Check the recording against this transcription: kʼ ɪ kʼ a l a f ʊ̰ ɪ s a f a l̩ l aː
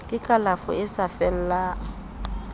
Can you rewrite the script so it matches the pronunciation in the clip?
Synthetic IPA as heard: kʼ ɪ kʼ a l a f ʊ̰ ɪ s a f ɛ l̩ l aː